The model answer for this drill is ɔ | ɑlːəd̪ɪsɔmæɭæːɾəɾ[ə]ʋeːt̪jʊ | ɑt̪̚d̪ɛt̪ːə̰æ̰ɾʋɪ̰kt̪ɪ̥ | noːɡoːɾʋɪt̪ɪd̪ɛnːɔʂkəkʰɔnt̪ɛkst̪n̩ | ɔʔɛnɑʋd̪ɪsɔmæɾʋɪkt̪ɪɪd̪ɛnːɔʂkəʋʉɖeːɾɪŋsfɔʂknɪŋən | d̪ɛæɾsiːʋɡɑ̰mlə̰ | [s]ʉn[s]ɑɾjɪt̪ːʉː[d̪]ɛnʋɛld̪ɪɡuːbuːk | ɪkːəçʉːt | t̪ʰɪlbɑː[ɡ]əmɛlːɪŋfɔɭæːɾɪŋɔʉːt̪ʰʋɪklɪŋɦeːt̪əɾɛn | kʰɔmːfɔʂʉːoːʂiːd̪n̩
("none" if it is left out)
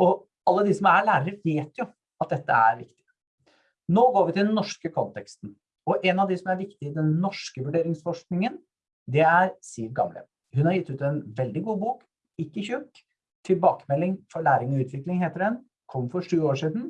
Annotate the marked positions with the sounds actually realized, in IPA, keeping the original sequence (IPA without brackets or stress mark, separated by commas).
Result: ə, h, h, t̪, k